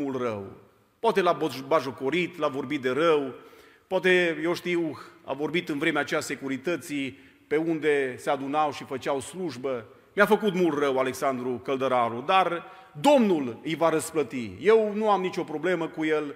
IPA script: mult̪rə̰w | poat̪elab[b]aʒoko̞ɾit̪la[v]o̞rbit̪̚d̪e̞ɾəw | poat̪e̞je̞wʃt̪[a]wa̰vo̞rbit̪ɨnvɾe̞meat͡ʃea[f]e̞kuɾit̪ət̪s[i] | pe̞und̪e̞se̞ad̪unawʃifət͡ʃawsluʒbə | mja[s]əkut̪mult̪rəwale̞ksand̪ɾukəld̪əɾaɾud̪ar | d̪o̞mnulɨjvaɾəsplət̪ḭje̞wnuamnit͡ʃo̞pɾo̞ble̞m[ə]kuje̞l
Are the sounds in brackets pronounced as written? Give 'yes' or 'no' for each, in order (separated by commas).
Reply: yes, yes, no, no, yes, no, yes